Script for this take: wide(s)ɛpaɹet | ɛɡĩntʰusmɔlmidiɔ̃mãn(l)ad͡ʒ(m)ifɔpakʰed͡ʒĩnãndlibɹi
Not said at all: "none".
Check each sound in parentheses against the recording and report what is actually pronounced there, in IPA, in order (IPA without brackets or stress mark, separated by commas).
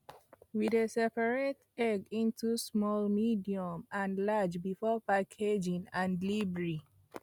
s, l, b